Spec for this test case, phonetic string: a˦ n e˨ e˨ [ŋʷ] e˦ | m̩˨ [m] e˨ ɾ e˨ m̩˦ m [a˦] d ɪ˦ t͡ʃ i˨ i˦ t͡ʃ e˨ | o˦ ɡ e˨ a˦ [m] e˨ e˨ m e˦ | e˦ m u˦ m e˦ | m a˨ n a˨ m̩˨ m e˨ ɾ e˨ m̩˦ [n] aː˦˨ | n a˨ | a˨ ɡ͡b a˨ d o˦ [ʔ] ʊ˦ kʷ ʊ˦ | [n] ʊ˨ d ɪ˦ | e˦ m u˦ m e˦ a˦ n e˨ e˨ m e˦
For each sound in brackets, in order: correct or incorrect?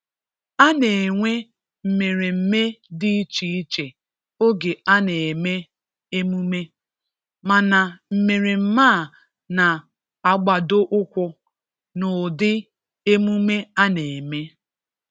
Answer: correct, correct, incorrect: e˦, incorrect: n, incorrect: m, correct, correct

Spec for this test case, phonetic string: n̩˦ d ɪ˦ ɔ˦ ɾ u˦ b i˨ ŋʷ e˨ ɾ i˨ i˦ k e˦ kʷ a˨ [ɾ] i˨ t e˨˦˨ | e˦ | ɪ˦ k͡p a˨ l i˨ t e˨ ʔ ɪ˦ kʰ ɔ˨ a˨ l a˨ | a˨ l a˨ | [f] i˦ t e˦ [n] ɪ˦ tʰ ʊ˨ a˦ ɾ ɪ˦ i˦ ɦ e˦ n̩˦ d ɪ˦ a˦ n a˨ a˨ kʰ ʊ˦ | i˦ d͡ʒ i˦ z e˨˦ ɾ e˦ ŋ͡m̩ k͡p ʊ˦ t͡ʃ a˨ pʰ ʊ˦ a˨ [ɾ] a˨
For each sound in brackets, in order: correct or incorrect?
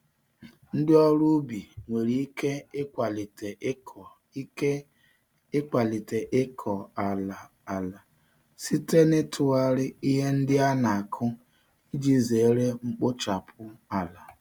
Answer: incorrect: l, incorrect: s, correct, incorrect: l

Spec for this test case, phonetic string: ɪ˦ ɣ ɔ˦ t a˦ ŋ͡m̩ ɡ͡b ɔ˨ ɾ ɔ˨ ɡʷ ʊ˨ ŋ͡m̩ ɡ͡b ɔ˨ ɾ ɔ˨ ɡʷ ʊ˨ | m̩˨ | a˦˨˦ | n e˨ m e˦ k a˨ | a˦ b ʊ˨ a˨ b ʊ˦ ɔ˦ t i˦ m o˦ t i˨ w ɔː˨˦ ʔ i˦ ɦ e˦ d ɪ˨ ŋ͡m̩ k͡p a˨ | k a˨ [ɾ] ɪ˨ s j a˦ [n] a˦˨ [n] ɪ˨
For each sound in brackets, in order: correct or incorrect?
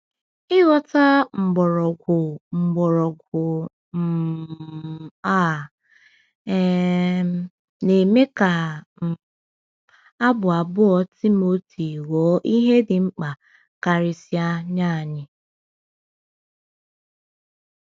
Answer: correct, incorrect: ɲ, incorrect: ɲ

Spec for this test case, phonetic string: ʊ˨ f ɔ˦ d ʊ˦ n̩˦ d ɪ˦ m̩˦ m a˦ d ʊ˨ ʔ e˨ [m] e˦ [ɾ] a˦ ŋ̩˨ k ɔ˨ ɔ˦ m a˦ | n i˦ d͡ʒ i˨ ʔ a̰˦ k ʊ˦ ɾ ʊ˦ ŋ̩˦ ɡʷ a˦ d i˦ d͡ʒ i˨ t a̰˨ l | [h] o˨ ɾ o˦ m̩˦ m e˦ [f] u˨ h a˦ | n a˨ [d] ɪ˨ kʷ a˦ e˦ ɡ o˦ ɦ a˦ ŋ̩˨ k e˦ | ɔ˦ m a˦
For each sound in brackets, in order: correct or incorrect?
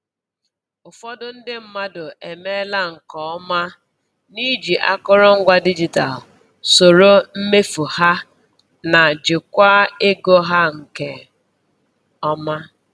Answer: correct, incorrect: l, incorrect: s, correct, incorrect: d͡ʒ

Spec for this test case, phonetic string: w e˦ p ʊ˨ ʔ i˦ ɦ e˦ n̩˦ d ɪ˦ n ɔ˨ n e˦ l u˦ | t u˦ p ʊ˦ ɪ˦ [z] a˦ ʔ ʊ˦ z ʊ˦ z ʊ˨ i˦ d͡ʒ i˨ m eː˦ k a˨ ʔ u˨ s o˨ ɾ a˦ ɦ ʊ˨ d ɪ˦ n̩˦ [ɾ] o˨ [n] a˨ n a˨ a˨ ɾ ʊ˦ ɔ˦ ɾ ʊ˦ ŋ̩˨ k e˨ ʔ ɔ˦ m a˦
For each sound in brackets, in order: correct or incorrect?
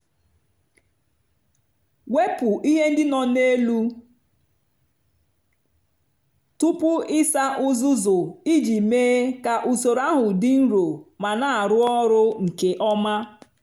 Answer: incorrect: s, correct, incorrect: m

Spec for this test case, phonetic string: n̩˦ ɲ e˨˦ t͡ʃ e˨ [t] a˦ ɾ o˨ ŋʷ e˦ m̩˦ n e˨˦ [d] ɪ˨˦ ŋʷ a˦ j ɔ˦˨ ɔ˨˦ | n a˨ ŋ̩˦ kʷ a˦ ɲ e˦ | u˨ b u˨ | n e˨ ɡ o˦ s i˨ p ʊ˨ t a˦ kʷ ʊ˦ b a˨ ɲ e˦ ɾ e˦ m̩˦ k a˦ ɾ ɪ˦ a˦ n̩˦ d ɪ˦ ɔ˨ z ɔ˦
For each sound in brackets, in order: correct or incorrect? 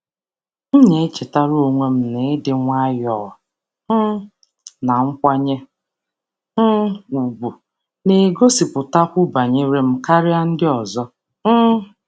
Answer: correct, correct

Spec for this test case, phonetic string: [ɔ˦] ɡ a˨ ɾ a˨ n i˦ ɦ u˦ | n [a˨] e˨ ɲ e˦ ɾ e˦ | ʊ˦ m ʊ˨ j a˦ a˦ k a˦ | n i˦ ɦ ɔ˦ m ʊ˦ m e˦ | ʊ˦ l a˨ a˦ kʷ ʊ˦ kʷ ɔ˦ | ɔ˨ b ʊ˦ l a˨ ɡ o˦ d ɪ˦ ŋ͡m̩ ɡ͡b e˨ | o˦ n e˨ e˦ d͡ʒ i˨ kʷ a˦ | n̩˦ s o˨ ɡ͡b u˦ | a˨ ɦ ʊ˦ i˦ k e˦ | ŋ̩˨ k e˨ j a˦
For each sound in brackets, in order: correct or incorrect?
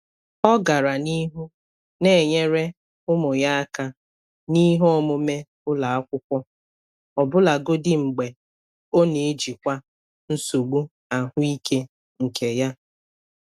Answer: correct, incorrect: e˨

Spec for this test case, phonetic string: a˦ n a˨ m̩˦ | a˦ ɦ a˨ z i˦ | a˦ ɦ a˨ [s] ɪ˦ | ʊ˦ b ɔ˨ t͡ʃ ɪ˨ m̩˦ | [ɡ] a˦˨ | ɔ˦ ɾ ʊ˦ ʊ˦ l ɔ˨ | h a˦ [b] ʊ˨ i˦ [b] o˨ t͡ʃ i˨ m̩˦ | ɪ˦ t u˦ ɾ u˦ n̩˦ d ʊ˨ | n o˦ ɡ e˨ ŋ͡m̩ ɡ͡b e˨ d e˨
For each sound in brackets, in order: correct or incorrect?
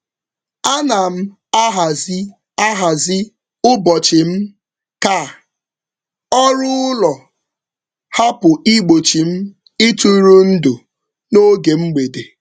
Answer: incorrect: z, incorrect: k, incorrect: p, incorrect: ɡ͡b

